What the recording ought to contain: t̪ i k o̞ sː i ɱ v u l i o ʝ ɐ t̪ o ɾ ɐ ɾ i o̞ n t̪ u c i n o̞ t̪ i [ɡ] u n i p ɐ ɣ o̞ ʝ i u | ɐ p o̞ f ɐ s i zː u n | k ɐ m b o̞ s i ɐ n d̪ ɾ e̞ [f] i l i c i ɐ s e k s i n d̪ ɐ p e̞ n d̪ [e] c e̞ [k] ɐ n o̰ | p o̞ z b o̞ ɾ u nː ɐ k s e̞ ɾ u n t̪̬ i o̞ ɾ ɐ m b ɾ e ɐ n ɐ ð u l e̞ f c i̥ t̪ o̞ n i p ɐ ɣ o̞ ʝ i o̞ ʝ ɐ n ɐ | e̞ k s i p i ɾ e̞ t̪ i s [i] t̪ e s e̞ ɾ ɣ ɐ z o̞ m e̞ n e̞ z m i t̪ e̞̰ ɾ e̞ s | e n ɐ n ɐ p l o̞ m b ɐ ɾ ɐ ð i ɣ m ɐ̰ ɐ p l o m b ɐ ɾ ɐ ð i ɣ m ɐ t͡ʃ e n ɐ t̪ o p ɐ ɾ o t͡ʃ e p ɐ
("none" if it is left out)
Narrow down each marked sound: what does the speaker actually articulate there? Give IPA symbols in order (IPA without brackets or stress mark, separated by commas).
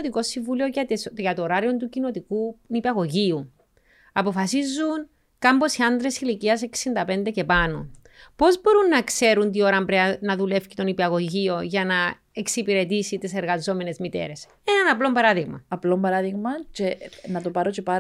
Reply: k, s, e, p, i